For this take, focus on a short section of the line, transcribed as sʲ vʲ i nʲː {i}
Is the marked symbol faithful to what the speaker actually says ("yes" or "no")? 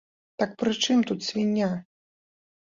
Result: no